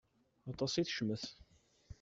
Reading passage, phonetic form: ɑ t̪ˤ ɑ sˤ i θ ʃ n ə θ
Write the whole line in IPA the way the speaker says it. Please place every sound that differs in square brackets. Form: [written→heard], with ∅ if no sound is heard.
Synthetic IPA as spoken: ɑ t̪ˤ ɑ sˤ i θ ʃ [n→m] ə θ